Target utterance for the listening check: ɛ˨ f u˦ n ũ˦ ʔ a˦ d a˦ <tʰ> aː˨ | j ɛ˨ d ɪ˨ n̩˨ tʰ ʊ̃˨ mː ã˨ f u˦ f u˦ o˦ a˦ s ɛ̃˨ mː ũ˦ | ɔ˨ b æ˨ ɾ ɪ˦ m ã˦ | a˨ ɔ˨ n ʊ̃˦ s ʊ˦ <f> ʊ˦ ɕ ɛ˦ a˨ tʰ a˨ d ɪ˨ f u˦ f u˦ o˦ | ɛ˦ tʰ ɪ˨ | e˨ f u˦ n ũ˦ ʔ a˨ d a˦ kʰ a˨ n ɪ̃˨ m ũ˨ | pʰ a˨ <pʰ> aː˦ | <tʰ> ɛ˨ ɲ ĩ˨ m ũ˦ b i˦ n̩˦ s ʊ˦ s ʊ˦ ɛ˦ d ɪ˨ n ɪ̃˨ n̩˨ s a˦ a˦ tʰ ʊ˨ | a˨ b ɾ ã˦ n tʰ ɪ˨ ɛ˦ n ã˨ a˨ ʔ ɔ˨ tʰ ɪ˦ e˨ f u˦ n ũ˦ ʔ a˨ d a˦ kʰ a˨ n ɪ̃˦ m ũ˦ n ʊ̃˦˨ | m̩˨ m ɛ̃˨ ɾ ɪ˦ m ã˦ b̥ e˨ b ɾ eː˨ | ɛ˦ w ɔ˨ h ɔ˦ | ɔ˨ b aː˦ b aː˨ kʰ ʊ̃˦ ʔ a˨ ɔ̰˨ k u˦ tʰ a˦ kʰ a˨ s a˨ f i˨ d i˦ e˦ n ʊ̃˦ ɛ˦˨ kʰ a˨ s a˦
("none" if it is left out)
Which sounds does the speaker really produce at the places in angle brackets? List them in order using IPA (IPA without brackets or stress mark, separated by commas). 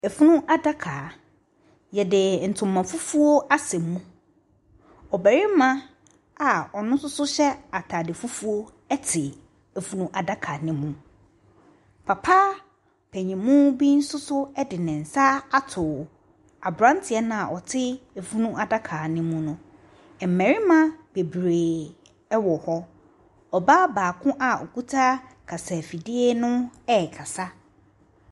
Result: kʰ, s, pʰ, pʰ